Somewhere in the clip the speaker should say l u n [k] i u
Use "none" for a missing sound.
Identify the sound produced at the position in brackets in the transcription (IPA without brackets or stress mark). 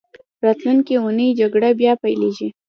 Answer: k